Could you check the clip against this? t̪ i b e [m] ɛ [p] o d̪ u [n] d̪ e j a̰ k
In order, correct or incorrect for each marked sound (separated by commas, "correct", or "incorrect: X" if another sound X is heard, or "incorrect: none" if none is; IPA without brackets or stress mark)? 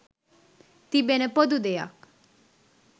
incorrect: n, correct, incorrect: none